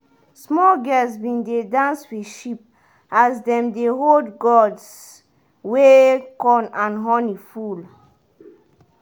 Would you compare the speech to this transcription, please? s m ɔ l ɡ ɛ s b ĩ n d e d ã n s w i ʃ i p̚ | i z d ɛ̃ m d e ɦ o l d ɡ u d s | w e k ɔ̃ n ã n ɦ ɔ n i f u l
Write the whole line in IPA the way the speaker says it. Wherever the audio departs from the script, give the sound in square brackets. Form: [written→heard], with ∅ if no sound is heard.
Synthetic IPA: s m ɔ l ɡ ɛ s b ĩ n d e d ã n s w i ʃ i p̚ | [i→a] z d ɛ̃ m d e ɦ o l d ɡ [u→ɔ] d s | w e k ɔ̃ n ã n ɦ ɔ n i f u l